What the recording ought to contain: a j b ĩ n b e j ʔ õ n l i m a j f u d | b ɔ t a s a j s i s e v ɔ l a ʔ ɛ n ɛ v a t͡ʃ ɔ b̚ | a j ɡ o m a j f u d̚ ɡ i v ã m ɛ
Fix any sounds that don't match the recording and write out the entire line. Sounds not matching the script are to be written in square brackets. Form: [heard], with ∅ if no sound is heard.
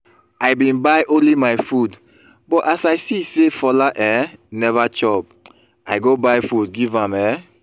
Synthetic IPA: a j b ĩ n b [a] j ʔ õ n l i m a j f u d | b ɔ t a s a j s i s e [f] ɔ l a ʔ ɛ n ɛ v a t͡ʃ ɔ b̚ | a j ɡ o [b] a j f u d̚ ɡ i v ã m ɛ